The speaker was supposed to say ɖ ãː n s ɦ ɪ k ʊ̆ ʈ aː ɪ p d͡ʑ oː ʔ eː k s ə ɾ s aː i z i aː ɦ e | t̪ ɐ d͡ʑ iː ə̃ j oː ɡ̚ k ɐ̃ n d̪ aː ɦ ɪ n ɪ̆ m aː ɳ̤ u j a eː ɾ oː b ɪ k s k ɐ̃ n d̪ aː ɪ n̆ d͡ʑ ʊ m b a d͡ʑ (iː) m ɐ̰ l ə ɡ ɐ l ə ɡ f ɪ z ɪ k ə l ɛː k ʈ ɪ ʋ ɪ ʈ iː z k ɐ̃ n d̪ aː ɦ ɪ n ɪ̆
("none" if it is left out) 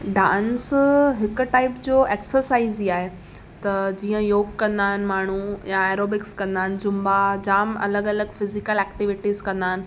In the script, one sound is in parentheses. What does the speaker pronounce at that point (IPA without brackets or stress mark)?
aː